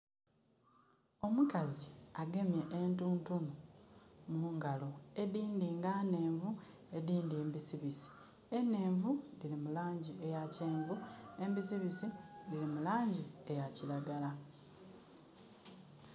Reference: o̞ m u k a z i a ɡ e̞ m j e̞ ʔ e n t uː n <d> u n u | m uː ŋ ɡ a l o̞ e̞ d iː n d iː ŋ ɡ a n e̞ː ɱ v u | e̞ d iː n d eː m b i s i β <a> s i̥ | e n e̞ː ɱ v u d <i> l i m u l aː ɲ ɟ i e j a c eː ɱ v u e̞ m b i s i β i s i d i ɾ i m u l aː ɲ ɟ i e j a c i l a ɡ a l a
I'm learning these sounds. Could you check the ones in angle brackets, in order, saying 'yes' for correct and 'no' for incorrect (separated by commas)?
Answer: no, no, yes